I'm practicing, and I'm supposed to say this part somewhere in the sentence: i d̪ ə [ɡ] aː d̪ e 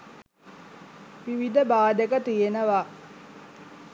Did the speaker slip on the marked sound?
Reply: yes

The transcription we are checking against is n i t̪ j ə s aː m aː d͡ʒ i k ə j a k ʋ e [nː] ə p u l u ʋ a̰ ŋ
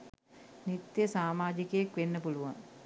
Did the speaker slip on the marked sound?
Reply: no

